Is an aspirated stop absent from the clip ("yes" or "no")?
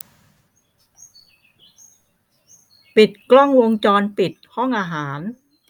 yes